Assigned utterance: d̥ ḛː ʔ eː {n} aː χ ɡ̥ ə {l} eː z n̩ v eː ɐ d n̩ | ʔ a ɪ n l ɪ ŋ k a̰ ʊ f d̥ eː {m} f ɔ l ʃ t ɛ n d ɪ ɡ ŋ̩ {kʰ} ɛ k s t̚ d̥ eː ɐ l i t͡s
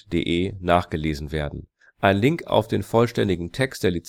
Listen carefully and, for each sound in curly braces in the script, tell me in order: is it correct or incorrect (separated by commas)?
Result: correct, correct, incorrect, incorrect